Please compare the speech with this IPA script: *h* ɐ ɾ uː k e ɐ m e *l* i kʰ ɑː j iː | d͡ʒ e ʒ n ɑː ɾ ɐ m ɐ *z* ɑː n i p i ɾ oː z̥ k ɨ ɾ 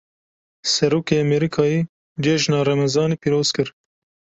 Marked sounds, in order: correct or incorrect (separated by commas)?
incorrect, incorrect, correct